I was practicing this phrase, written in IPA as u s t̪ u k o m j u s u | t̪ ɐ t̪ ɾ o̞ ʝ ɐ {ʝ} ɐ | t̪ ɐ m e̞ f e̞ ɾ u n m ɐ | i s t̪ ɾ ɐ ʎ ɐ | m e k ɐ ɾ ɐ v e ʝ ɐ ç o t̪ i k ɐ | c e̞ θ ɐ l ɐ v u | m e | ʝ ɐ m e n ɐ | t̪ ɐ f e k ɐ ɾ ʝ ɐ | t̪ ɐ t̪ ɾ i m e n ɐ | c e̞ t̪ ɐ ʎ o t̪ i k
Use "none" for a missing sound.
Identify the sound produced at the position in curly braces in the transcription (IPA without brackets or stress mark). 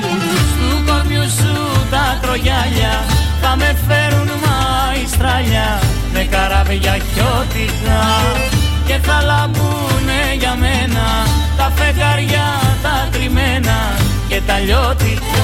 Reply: ʎ